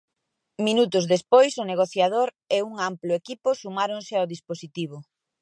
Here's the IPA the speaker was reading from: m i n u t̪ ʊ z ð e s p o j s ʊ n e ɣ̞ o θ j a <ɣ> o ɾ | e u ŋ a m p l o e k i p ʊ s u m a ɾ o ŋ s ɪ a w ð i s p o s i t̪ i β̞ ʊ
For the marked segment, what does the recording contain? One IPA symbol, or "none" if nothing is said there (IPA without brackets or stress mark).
ð